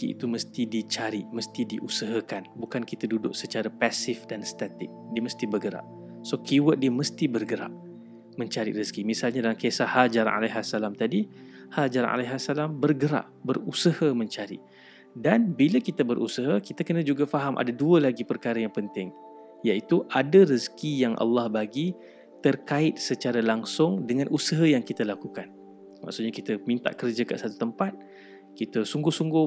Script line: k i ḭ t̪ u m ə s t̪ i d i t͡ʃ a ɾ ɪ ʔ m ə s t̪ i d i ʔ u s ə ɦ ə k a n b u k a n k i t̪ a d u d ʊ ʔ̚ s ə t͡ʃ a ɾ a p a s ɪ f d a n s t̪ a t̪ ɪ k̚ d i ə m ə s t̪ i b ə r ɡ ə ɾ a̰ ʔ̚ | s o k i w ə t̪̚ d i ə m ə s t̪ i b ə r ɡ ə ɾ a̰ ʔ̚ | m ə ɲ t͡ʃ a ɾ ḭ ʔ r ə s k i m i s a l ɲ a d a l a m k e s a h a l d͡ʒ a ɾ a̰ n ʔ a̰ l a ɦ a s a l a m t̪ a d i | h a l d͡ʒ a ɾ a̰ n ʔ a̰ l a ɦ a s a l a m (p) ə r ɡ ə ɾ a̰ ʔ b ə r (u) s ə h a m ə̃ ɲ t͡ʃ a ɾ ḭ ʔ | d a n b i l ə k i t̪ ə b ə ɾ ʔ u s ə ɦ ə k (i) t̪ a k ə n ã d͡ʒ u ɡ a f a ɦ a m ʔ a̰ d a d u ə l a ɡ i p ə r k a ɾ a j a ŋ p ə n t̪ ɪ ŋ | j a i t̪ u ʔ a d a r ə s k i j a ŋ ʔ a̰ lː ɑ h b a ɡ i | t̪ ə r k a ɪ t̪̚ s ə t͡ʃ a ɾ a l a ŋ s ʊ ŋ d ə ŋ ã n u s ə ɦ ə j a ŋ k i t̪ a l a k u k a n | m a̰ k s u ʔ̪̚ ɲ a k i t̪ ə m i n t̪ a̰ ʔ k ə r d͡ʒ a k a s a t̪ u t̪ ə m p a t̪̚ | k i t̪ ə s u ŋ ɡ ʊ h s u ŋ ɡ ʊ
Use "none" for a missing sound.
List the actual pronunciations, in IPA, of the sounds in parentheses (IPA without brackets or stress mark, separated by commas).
b, u, i